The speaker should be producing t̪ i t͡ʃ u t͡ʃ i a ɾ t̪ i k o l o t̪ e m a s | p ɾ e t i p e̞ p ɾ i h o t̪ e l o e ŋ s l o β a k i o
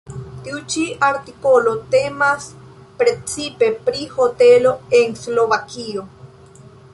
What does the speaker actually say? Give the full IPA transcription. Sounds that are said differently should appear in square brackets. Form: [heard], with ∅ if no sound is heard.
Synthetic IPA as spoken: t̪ i [∅] u t͡ʃ i a ɾ t̪ i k o l o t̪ e m a s | p ɾ e [t͡s] i p e̞ p ɾ i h o t̪ e l o e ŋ s l o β a k i o